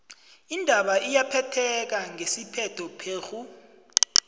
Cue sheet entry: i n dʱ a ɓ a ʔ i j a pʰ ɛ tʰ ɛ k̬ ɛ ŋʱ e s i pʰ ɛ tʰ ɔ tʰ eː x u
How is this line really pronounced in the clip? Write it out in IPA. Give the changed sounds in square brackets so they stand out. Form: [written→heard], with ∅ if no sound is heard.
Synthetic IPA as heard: i n dʱ a ɓ a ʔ i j a pʰ ɛ tʰ ɛ k̬ [ɛ→a] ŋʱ e s i pʰ ɛ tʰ ɔ [tʰ→pʰ] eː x u